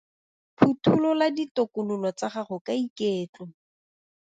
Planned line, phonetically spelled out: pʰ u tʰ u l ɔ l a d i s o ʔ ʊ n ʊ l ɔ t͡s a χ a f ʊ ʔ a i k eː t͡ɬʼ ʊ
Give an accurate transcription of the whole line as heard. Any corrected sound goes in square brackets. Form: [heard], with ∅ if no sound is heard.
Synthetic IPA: pʰ u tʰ u l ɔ l a d i [t] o [k] ʊ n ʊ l ɔ t͡s a χ a [χ] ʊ [k] a i k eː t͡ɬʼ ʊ